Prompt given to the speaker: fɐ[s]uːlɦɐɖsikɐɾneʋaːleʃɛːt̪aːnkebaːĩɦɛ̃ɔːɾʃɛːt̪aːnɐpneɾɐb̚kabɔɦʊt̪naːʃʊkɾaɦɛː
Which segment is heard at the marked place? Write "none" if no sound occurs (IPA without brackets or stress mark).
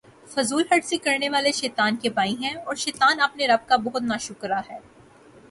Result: z